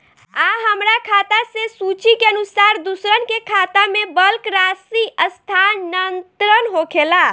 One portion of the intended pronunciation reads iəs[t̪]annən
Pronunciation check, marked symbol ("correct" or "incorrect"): incorrect